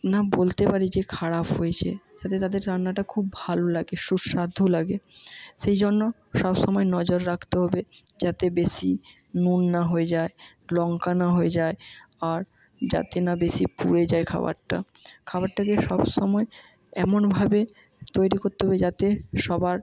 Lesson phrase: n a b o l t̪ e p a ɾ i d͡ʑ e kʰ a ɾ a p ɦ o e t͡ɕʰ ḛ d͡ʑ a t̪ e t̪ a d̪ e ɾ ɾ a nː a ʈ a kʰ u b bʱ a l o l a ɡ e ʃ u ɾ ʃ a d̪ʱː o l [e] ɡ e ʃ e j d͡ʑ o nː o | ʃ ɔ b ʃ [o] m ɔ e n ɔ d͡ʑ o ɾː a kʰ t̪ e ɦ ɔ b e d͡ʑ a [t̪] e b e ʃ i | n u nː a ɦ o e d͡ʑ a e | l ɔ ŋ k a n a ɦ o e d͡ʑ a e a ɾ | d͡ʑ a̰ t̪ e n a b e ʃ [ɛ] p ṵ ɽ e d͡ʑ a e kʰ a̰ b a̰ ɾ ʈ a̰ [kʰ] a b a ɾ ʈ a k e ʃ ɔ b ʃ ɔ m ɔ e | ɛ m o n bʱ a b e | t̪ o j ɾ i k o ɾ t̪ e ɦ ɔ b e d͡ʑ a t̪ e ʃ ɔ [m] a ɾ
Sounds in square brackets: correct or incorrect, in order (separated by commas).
incorrect, incorrect, correct, incorrect, correct, incorrect